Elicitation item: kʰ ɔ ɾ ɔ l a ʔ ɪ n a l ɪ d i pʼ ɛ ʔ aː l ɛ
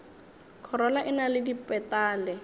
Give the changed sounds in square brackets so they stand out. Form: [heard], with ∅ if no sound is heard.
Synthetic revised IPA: kʰ ɔ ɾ ɔ l a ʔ ɪ n a l ɪ d i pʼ ɛ [t] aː l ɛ